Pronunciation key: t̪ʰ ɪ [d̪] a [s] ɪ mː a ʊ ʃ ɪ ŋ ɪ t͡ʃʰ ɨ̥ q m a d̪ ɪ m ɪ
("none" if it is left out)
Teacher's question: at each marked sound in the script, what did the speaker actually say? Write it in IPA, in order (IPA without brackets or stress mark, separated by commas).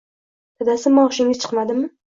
d̪, s